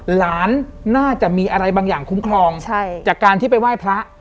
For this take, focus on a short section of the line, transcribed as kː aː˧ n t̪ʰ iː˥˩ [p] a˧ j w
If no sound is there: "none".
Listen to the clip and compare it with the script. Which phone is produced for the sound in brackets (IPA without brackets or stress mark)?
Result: p